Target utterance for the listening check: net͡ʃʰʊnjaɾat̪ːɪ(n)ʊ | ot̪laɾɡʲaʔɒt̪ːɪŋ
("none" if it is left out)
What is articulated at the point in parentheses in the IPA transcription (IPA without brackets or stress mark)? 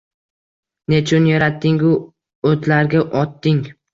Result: ŋ